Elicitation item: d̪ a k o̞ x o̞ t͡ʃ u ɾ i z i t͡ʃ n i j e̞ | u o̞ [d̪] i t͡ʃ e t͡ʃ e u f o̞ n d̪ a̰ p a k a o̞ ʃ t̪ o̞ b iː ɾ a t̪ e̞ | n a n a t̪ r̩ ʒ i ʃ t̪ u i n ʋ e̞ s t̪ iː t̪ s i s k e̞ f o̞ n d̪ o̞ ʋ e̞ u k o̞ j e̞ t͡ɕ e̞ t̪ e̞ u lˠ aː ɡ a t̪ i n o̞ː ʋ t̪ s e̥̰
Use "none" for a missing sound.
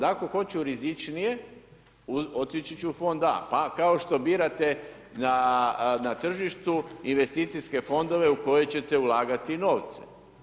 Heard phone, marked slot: t̪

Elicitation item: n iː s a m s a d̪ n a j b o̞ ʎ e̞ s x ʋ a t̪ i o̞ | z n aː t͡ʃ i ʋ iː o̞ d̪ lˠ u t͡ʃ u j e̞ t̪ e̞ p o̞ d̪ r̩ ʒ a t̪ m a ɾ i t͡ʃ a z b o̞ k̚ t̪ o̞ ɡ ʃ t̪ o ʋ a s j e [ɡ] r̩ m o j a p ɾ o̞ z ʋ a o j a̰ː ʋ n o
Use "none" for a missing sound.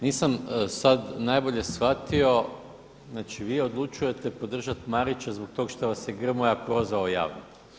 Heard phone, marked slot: ɡ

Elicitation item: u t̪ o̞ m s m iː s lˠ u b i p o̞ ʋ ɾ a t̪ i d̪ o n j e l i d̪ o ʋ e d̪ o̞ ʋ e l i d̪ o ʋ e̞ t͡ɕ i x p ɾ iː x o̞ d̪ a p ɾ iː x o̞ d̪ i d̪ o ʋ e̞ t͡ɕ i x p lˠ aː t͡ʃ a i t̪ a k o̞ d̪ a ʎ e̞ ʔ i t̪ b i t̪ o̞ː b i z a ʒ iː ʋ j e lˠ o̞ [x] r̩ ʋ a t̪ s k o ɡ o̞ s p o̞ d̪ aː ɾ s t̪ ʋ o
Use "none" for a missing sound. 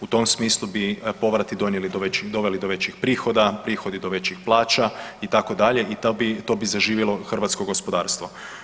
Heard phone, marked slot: x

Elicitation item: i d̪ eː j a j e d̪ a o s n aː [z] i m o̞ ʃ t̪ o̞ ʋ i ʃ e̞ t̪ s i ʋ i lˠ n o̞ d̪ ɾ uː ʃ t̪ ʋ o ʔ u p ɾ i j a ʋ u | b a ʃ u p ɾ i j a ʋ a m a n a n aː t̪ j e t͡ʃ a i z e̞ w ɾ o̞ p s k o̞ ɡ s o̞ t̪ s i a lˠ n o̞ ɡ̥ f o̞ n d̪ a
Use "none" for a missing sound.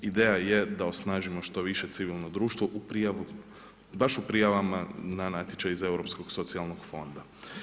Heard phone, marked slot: ʒ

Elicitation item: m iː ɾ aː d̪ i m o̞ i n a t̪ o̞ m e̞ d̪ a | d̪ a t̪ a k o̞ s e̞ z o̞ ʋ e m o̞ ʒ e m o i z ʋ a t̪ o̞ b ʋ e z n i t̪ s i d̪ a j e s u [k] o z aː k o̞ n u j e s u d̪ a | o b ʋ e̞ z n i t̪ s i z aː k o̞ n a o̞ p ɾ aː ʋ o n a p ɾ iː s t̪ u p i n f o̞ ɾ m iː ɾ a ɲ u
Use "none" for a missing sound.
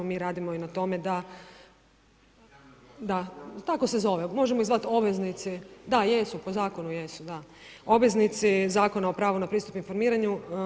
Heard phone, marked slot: p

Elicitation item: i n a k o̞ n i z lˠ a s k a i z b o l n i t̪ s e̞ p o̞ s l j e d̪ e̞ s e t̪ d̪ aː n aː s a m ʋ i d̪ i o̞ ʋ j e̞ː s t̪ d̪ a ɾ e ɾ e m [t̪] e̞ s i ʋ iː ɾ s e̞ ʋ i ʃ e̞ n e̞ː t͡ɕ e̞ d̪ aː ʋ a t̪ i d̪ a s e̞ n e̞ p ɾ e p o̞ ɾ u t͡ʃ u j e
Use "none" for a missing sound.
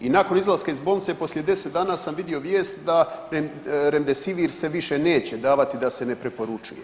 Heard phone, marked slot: d̪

